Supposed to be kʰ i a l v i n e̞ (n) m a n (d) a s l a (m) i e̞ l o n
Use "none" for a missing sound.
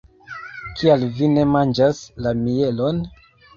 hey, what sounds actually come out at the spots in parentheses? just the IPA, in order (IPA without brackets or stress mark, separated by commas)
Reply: none, d͡ʒ, m